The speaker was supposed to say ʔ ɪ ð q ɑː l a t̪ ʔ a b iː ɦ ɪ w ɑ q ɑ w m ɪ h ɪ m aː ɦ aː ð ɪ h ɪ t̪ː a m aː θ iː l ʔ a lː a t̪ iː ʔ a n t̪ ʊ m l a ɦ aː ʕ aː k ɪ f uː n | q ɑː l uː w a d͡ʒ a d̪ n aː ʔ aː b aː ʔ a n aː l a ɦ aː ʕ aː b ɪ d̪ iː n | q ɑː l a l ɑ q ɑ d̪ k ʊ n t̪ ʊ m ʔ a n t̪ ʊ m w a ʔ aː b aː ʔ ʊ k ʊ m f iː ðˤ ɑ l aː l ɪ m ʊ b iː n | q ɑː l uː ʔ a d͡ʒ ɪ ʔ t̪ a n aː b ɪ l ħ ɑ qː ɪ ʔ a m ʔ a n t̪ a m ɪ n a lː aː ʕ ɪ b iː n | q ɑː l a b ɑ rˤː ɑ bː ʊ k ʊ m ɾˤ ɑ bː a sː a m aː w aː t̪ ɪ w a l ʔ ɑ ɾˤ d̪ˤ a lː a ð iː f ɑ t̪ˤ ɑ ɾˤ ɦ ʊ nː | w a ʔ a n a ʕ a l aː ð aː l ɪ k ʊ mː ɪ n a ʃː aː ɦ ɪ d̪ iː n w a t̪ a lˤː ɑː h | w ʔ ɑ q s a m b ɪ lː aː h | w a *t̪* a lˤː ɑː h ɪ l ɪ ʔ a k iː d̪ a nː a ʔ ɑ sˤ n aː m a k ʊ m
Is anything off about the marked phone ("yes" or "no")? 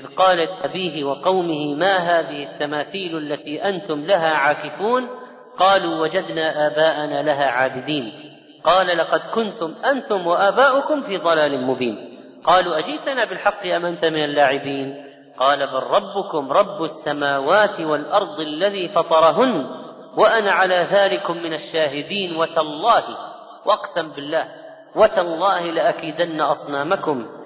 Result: no